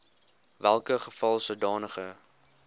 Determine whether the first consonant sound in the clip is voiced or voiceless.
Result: voiced